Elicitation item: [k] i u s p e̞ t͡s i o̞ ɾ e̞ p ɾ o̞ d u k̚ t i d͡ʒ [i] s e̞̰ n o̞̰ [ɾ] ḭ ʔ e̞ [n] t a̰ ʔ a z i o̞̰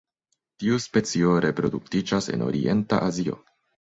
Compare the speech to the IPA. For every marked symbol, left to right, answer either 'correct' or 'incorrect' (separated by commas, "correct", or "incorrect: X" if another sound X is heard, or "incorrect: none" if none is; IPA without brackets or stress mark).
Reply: incorrect: t, incorrect: a, correct, correct